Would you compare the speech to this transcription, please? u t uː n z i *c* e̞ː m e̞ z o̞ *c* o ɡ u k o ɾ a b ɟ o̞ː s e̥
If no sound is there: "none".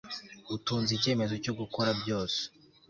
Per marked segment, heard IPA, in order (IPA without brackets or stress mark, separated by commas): c, c